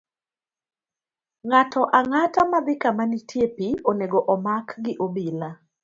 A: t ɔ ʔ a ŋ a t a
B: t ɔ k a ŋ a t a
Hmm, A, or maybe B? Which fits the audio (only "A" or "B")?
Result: A